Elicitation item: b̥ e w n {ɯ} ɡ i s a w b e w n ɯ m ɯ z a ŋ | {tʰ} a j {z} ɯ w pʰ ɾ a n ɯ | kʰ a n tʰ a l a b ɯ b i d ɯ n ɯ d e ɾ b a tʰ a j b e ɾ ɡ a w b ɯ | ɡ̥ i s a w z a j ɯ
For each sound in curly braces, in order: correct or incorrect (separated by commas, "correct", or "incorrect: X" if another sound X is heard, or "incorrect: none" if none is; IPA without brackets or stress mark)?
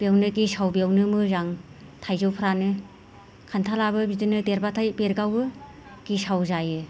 correct, correct, correct